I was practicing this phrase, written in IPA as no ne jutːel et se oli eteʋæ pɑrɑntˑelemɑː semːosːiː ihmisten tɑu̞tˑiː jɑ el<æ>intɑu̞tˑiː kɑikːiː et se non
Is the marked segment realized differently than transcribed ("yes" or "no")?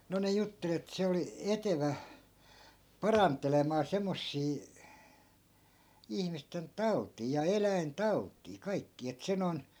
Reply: no